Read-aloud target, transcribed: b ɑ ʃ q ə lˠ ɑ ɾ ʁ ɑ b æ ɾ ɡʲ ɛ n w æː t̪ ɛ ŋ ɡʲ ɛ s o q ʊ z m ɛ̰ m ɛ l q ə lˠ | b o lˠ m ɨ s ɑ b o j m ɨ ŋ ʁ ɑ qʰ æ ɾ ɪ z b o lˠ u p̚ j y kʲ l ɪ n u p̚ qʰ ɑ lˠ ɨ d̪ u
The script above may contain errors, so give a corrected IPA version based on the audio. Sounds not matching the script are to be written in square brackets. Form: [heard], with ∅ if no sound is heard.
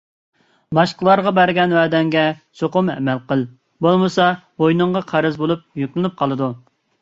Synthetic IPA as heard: b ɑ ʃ q ə lˠ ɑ ɾ ʁ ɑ b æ ɾ ɡʲ ɛ n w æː [d̪] ɛ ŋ ɡʲ ɛ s o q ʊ [∅] m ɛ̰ m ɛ l q ə lˠ | b o lˠ m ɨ s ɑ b o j [n] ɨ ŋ ʁ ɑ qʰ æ ɾ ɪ z b o lˠ u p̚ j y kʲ l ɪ n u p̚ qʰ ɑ lˠ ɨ d̪ u

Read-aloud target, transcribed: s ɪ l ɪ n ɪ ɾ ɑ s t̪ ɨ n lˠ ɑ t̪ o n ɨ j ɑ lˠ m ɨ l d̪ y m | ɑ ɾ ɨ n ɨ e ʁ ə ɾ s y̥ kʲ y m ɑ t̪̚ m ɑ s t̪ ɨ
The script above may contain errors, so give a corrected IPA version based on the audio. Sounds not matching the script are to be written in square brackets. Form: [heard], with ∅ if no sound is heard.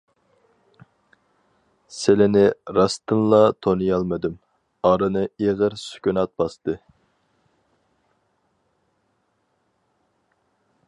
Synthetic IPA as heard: s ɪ l ɪ n ɪ ɾ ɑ s t̪ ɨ n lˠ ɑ [t̪ʰ] o n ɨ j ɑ lˠ m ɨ [∅] d̪ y m | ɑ ɾ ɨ n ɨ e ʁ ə ɾ s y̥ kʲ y [n] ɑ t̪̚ [b] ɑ s t̪ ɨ

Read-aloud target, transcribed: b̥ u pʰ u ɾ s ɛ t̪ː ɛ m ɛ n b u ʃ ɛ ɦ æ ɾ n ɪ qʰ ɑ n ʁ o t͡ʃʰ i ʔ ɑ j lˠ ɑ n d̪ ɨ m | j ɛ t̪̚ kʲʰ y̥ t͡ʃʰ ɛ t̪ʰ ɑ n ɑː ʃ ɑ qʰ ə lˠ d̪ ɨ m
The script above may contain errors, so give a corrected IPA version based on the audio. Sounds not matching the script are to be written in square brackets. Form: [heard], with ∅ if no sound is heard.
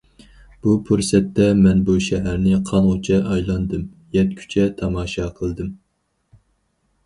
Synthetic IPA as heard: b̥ u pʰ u ɾ s ɛ t̪ː ɛ m ɛ n b u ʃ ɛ ɦ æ ɾ n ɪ qʰ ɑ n ʁ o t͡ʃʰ [ɛ] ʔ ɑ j lˠ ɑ n d̪ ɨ m | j ɛ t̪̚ kʲʰ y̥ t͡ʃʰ ɛ t̪ʰ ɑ [m] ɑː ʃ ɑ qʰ ə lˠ d̪ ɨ m

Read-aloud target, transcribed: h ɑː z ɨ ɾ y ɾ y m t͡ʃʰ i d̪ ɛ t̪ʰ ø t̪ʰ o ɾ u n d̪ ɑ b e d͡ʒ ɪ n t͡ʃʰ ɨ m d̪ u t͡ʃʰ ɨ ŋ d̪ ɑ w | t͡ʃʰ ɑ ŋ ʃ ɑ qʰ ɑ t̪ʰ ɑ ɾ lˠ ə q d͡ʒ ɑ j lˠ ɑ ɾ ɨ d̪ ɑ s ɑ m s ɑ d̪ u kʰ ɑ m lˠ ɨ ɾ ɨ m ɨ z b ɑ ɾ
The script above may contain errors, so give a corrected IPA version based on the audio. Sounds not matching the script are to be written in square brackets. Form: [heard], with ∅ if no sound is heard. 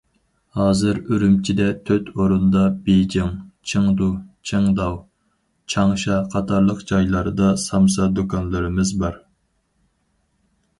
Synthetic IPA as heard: h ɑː z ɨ ɾ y ɾ y m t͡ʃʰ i d̪ ɛ t̪ʰ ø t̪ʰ o ɾ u n d̪ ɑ b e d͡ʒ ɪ [ŋ] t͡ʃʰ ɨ [ŋ] d̪ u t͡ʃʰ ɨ ŋ d̪ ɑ w | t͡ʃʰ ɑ ŋ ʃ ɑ qʰ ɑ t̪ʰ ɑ ɾ lˠ ə q d͡ʒ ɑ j lˠ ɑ ɾ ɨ d̪ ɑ s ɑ m s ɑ d̪ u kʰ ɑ [n] lˠ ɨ ɾ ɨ m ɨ z b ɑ ɾ

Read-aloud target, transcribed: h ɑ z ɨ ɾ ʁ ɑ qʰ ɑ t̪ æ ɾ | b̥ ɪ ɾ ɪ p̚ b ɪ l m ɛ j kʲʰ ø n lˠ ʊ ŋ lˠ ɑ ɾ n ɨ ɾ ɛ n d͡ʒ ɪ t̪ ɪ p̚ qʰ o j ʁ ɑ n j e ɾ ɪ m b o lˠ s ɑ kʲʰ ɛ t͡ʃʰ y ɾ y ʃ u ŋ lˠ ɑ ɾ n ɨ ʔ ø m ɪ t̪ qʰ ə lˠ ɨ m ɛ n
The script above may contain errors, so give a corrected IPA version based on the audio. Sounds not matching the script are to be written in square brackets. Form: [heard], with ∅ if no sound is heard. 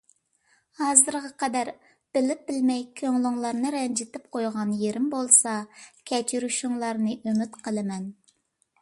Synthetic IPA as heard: h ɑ z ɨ ɾ ʁ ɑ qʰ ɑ [d̪] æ ɾ | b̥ ɪ [l] ɪ p̚ b ɪ l m ɛ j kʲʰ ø [ŋ] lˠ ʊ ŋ lˠ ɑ ɾ n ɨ ɾ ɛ n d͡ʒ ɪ t̪ ɪ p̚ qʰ o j ʁ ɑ n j e ɾ ɪ m b o lˠ s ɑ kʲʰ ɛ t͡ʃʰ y ɾ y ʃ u ŋ lˠ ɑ ɾ n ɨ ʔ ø m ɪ t̪ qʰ ə lˠ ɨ m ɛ n

